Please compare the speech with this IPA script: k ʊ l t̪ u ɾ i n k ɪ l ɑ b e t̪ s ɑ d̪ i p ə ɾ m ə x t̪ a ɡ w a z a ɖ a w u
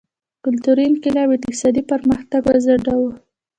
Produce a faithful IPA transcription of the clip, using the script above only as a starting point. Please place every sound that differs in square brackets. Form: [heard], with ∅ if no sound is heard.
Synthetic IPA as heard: k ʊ l t̪ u ɾ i n k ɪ l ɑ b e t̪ s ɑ d̪ i p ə ɾ m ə x t̪ a ɡ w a z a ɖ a w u